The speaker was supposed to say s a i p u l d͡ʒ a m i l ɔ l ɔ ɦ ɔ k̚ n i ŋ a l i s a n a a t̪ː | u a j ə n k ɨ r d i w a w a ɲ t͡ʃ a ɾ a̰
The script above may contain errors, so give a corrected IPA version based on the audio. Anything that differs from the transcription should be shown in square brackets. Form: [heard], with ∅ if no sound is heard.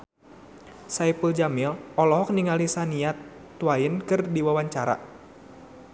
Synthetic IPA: s a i p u l d͡ʒ a m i l ɔ l ɔ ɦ ɔ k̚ n i ŋ a l i s a n [i] a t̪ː | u a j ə n k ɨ r d i w a w a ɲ t͡ʃ a ɾ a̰